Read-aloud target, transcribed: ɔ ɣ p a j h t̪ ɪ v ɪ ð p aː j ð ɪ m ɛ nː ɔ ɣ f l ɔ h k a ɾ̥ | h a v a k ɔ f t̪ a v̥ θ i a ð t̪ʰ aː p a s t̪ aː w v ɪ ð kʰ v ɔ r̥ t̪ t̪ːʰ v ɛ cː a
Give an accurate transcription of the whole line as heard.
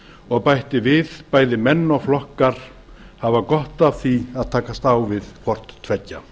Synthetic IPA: ɔ ɣ p a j h t̪ ɪ v ɪ ð p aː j ð ɪ m ɛ nː ɔ ɣ f l ɔ h k a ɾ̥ | h a v a k ɔ h t̪ a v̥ θ i a ð t̪ʰ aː k a s t̪ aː w v ɪ ð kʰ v ɔ r̥ t̪ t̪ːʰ v ɛ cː a